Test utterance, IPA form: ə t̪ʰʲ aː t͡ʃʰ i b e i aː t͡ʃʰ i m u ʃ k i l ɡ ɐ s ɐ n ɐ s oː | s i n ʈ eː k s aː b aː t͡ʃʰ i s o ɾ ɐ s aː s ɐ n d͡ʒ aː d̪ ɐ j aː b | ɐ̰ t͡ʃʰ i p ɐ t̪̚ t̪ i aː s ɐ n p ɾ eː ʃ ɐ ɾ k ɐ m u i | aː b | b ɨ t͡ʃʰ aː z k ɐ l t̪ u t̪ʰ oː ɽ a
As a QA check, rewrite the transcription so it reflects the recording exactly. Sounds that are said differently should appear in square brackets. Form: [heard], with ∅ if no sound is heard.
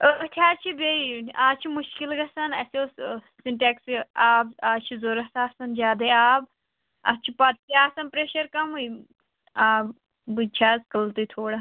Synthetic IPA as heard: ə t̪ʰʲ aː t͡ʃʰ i b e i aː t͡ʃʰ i m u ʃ k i l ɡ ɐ s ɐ n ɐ s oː | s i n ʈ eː k s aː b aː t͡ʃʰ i [z] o ɾ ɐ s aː s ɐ n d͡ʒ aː d̪ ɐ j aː b | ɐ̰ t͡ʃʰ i p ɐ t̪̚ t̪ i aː s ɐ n p ɾ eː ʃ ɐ ɾ k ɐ m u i | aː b | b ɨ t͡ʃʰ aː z k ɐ l t̪ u t̪ʰ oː ɽ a